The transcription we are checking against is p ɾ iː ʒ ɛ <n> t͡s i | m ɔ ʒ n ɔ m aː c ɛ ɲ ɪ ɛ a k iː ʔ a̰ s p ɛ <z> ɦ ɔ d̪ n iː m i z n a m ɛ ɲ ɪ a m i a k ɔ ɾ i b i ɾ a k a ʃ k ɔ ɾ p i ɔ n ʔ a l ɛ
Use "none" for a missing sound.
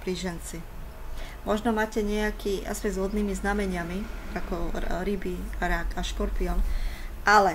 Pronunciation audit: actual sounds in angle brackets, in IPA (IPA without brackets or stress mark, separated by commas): n, z